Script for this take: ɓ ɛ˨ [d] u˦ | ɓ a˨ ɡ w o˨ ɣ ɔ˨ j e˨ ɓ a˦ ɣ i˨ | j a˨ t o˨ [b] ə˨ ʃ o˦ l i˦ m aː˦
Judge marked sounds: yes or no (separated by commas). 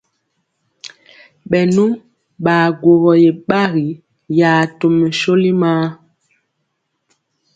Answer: no, no